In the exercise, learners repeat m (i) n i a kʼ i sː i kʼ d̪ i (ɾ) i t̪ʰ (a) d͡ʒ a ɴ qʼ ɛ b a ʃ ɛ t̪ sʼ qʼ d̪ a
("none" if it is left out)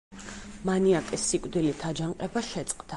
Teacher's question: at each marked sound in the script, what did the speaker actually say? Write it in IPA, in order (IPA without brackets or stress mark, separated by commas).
a, l, a